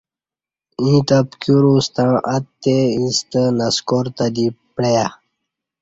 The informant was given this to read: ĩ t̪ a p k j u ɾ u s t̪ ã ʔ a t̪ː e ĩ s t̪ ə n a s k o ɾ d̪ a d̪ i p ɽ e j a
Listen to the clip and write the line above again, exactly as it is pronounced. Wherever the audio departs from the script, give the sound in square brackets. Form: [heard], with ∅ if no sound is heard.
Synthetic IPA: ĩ t̪ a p k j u ɾ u s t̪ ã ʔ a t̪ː e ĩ s t̪ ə n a s k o ɾ [t̪] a d̪ i p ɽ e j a